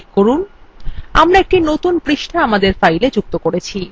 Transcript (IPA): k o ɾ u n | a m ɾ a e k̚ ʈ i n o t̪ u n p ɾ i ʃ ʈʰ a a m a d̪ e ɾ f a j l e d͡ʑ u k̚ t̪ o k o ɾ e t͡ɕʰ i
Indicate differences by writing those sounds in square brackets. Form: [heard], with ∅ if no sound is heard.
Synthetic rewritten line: k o ɾ u n | a m ɾ a e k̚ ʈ i n o t̪ u n p ɾ i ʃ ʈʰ a a m a d̪ e ɾ f a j l e d͡ʑ u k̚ t̪ o k o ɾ e t͡ɕʰ i